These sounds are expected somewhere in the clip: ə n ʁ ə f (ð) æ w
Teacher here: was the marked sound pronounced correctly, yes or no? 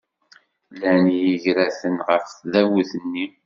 yes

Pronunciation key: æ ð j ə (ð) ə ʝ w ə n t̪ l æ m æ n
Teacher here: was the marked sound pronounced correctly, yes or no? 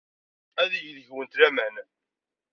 yes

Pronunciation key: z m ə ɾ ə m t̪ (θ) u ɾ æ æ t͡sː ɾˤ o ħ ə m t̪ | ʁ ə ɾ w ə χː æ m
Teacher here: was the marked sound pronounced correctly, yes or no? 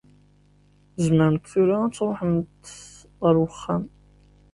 yes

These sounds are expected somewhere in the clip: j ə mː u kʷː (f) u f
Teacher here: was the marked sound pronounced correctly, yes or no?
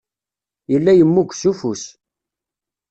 no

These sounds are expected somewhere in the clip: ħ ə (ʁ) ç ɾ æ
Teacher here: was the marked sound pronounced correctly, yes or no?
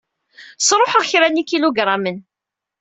yes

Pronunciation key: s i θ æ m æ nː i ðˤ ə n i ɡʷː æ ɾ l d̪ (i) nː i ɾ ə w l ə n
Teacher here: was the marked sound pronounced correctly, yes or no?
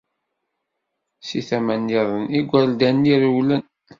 no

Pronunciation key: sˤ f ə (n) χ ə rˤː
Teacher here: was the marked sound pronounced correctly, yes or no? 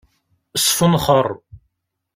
yes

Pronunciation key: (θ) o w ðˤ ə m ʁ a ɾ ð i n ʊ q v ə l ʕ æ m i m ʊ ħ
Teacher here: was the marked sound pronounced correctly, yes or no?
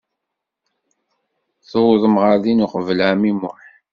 yes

